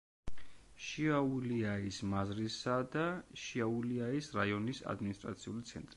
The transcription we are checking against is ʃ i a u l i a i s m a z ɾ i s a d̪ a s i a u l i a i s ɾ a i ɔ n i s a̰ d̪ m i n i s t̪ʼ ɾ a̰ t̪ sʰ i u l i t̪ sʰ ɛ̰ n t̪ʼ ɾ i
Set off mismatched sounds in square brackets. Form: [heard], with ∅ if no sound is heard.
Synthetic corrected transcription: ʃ i a u l i a i s m a z ɾ i s a d̪ a [ʃ] i a u l i a i s ɾ a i ɔ n i s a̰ d̪ m i n i s t̪ʼ ɾ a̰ t̪ sʰ i u l i t̪ sʰ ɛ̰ n t̪ʼ ɾ i